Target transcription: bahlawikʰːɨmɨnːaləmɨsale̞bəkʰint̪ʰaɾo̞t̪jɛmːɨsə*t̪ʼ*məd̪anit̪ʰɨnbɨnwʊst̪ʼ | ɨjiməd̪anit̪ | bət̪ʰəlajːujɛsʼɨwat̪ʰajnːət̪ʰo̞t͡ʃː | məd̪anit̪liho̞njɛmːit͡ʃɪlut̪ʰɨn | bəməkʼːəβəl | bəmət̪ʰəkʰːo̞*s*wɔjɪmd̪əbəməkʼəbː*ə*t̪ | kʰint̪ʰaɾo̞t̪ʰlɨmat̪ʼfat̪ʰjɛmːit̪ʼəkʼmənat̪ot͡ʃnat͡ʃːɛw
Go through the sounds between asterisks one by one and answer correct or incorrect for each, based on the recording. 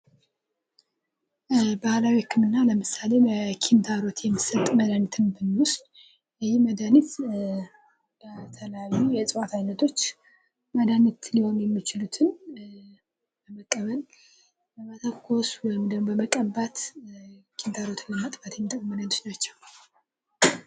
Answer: correct, correct, incorrect: a

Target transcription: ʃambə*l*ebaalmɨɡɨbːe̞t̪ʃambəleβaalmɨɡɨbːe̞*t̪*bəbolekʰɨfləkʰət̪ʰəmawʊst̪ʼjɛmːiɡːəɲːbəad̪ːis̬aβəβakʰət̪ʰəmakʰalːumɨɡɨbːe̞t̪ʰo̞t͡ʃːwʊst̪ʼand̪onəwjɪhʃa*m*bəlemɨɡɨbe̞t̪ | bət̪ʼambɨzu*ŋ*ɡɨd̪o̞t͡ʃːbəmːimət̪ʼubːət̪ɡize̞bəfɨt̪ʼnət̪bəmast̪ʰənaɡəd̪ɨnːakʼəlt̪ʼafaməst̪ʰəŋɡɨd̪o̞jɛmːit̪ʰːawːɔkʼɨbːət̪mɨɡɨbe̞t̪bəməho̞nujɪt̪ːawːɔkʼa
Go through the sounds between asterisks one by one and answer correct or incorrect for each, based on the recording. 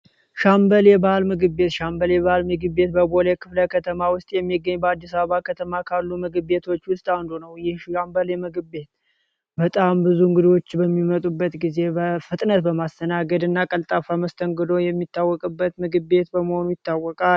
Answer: correct, correct, correct, correct

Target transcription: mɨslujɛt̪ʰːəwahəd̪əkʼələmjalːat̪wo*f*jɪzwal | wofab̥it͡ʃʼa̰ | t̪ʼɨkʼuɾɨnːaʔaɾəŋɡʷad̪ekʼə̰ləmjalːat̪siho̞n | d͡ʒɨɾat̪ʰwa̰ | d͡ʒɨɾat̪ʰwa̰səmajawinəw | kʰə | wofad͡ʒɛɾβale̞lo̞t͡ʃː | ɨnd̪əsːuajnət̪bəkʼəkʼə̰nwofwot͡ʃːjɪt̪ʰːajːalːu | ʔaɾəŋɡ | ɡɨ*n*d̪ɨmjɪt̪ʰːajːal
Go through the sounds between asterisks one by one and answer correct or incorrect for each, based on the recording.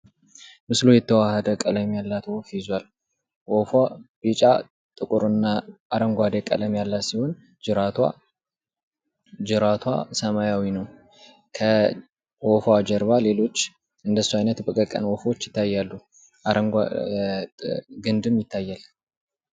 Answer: correct, correct

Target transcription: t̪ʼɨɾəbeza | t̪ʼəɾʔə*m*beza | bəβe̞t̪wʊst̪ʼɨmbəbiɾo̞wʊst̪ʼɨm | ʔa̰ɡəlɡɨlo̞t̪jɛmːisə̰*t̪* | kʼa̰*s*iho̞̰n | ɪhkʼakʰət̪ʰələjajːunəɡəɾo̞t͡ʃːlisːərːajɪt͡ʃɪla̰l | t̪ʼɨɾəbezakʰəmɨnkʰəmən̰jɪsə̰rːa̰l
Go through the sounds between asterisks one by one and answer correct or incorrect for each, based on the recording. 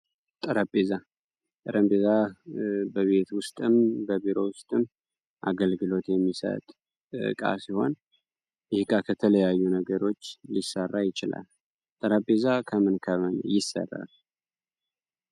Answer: correct, incorrect: t̪ʼ, correct

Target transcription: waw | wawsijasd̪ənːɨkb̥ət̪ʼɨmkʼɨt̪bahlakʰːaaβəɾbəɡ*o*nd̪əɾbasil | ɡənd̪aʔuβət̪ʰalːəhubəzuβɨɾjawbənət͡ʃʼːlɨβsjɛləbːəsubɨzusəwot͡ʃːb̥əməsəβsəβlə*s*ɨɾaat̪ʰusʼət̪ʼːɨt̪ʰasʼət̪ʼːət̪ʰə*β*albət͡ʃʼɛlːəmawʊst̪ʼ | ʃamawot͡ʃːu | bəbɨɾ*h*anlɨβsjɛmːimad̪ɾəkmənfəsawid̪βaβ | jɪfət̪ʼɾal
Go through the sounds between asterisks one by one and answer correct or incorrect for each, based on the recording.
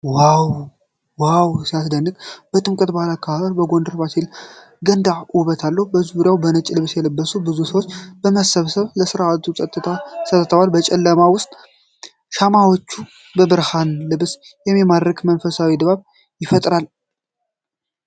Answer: correct, correct, incorrect: w, correct

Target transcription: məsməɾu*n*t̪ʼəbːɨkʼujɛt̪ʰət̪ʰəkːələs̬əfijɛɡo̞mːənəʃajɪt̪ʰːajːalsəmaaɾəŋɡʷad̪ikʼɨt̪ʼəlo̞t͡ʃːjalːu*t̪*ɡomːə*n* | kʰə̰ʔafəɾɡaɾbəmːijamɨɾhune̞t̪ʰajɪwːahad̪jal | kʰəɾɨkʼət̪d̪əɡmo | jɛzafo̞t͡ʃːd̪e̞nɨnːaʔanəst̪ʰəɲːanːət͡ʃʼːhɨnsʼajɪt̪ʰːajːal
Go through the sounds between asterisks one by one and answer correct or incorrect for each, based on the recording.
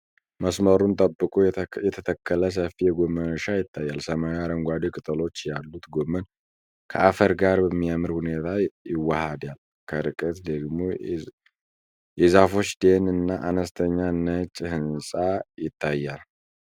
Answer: correct, correct, correct

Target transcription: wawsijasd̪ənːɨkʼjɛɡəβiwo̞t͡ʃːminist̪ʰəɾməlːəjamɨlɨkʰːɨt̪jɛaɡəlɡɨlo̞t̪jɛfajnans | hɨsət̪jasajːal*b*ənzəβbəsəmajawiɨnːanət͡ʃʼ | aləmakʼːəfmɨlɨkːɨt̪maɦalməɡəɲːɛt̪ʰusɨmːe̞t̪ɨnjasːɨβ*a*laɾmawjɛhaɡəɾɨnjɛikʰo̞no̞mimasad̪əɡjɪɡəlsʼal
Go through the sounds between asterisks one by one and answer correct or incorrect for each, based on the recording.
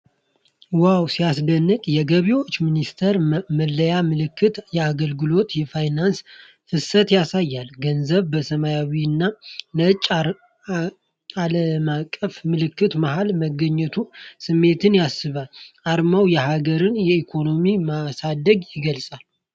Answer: incorrect: ɡ, correct

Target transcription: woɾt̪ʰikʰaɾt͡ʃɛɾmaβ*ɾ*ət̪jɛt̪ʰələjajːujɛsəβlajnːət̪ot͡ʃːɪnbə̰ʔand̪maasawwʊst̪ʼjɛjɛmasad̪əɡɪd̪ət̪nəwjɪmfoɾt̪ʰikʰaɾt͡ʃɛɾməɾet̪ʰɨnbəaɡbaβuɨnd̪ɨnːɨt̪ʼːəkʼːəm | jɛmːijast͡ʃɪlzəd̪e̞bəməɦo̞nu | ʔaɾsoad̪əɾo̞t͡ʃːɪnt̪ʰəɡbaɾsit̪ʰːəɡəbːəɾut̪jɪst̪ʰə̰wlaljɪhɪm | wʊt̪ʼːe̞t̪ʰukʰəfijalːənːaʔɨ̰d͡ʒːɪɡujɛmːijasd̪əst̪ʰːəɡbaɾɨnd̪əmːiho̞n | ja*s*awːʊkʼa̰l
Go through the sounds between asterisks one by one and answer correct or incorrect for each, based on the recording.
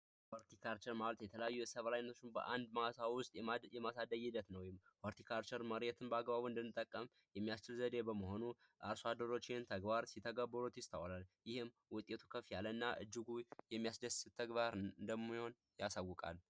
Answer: incorrect: l, correct

